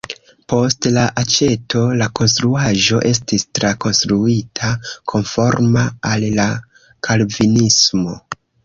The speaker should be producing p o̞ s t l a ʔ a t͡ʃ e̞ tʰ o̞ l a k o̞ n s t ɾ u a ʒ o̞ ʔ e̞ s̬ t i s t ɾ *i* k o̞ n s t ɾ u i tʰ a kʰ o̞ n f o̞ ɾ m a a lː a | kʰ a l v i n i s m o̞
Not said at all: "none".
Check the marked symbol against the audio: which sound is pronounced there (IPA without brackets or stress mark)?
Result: a